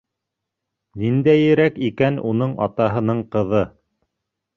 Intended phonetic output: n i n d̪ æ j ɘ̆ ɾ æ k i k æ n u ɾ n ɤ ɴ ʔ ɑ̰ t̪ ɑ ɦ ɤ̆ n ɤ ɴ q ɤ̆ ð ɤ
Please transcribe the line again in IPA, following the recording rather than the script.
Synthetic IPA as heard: n i n d̪ æ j ɘ̆ ɾ æ k i k æ n u n ɤ ɴ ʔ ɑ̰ t̪ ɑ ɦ ɤ̆ n ɤ ɴ q ɤ̆ ð ɤ